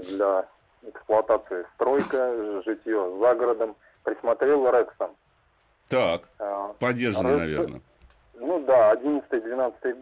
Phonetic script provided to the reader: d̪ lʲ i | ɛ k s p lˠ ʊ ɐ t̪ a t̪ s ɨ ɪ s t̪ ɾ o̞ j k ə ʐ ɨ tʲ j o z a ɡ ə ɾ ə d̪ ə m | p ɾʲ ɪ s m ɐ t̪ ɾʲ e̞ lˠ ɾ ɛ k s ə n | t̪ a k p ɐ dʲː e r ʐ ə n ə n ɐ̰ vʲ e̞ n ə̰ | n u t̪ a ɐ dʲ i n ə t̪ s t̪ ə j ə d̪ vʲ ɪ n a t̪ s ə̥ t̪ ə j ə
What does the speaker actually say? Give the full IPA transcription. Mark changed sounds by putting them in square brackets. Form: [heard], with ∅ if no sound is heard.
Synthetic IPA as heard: d̪ lʲ [a] | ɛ k s p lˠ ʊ ɐ t̪ a t̪ s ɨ ɪ s t̪ ɾ o̞ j k ə ʐ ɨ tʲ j o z a ɡ ə ɾ ə d̪ ə m | p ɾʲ ɪ s m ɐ t̪ ɾʲ e̞ lˠ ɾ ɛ k s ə n | t̪ a k p ɐ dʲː e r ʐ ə n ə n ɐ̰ vʲ e̞ n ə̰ | n u [d̪] a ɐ dʲ i n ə t̪ s t̪ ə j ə d̪ vʲ ɪ n a t̪ s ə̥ t̪ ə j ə